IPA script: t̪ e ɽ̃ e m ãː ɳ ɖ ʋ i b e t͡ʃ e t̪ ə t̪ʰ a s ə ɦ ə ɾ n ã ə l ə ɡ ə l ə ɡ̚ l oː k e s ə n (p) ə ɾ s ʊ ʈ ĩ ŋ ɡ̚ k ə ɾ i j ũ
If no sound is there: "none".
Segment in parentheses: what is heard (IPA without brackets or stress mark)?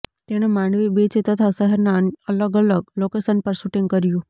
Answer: p